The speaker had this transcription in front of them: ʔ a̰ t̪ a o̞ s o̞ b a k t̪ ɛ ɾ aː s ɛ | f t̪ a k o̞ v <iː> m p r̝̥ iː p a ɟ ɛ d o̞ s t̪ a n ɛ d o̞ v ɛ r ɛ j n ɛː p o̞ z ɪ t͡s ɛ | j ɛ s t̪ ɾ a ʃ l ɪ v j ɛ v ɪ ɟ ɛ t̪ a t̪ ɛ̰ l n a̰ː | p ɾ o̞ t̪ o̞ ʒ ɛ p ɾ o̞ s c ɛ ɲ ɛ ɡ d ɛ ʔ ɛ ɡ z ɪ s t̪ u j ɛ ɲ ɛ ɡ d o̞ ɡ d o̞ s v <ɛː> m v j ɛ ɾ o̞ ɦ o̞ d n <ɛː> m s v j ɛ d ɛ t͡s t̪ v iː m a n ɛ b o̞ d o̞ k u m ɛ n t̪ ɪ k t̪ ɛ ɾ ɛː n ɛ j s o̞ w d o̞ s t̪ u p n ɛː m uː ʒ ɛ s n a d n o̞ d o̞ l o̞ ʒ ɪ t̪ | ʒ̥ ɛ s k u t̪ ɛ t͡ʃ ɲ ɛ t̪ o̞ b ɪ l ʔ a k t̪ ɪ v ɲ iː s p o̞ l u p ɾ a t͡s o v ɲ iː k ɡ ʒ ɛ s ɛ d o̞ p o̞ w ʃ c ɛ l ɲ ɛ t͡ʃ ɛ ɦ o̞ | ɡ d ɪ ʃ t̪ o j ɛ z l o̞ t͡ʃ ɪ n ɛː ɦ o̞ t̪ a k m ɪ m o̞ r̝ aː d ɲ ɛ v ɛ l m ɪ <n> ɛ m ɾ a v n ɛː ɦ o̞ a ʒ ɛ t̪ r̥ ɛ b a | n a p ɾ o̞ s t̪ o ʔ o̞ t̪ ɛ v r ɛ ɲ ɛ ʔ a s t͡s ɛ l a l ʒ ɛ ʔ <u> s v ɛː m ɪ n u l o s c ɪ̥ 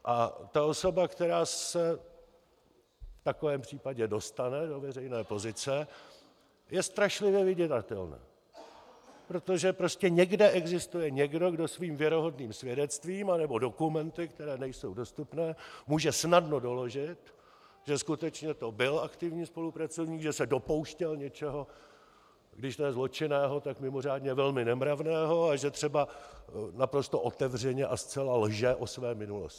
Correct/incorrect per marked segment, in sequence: incorrect, incorrect, incorrect, correct, incorrect

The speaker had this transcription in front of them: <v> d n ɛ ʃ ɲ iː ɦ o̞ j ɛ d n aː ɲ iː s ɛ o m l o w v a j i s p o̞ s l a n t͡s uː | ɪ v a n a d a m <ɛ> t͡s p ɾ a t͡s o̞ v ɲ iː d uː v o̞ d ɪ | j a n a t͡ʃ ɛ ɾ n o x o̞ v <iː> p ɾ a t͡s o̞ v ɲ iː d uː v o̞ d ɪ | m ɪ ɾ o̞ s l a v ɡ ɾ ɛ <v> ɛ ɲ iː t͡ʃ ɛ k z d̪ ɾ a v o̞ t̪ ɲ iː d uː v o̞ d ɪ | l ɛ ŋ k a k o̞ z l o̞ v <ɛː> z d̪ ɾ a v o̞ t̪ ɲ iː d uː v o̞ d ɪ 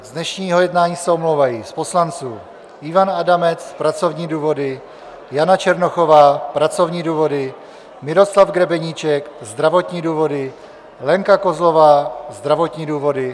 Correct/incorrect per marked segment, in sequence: incorrect, correct, incorrect, incorrect, incorrect

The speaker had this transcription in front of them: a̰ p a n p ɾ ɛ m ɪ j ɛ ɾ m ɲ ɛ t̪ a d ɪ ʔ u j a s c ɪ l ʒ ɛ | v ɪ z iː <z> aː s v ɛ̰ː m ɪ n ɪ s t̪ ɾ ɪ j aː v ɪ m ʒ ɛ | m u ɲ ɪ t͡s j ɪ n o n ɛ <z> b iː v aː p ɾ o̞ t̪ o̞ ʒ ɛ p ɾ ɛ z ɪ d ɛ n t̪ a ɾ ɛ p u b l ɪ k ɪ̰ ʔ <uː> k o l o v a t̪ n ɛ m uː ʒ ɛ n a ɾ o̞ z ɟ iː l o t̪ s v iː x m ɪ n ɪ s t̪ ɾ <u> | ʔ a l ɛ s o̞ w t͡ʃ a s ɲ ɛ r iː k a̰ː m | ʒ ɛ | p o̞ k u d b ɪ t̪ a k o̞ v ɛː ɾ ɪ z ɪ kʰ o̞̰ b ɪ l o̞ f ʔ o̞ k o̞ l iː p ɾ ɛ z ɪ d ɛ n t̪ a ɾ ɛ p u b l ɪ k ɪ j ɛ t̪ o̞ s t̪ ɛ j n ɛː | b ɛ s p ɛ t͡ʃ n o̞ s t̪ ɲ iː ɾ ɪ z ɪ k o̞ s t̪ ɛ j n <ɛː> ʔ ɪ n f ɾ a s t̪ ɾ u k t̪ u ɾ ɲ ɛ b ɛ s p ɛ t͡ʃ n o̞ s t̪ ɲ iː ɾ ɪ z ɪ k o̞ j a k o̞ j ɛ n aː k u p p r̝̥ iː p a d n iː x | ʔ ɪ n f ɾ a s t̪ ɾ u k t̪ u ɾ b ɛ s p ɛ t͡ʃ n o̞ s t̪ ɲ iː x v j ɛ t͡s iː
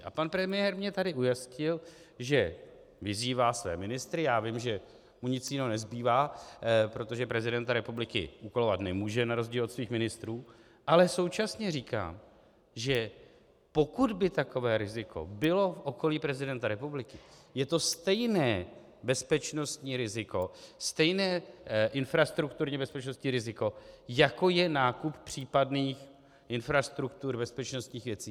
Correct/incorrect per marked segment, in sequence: incorrect, correct, incorrect, incorrect, correct

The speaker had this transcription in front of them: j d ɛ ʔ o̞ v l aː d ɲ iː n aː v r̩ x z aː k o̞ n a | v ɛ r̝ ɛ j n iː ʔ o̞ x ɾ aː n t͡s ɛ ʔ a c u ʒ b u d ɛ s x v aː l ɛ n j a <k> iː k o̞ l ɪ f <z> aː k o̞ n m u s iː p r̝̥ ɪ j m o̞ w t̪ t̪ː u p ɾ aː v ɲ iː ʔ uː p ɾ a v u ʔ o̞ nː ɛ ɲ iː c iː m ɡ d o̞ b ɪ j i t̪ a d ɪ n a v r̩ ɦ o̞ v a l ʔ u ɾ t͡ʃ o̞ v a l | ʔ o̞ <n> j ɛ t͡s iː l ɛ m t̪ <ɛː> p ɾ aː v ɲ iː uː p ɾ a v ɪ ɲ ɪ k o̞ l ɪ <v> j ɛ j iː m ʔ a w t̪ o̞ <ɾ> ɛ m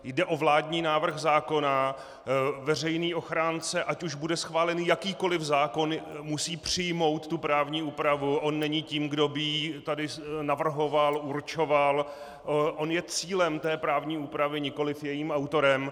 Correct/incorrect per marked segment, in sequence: correct, correct, correct, correct, incorrect, correct

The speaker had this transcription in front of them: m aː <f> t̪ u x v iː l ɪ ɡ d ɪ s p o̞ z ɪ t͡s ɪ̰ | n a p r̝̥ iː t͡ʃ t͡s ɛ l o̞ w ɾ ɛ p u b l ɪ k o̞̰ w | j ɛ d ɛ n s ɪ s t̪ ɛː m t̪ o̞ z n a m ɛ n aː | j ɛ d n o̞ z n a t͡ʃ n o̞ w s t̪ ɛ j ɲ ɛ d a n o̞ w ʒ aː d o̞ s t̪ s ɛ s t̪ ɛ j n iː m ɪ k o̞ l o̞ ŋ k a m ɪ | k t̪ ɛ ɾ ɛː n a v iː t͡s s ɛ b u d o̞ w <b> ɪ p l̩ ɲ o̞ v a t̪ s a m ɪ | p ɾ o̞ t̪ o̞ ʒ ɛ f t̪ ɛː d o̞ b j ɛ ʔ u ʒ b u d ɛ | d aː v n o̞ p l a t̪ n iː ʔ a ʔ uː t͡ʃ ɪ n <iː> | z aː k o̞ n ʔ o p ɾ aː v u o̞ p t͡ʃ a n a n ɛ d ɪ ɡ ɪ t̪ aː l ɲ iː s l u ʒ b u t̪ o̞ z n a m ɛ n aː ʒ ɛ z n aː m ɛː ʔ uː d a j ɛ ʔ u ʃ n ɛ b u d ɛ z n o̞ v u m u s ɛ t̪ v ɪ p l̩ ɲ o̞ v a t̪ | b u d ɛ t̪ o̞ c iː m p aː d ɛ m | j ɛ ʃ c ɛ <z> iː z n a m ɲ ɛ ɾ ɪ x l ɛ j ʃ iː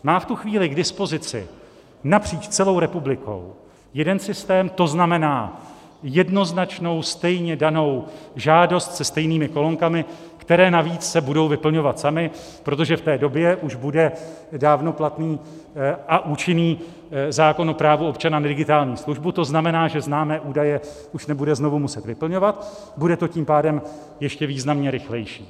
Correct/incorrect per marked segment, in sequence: correct, incorrect, correct, incorrect

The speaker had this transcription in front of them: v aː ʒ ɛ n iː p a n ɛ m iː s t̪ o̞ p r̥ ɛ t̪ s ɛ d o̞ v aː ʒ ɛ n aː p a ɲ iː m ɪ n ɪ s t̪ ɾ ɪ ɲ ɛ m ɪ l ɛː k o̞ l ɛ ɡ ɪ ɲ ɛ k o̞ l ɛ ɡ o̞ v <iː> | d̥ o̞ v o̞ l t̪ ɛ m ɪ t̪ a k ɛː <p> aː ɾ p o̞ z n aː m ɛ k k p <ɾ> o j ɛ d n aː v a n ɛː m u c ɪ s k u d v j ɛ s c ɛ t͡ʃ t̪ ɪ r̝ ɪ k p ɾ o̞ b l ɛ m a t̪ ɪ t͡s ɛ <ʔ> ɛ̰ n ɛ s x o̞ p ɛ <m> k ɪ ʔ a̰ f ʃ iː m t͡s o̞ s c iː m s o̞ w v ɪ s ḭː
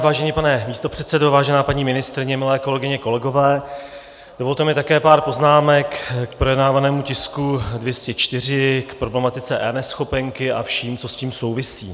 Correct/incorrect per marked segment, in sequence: incorrect, correct, correct, correct, incorrect

